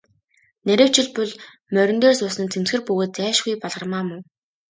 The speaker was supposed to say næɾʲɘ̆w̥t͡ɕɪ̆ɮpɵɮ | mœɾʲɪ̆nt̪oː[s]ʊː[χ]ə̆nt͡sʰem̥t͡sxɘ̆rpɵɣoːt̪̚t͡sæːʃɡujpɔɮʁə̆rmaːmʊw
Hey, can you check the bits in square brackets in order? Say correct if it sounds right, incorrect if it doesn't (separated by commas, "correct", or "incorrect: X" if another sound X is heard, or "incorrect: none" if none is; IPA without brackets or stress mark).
correct, incorrect: s